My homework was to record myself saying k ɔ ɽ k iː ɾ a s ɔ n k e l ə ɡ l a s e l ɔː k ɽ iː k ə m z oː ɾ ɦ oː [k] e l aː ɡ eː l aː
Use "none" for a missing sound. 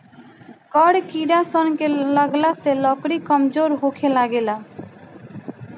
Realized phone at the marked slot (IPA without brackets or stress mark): kʰ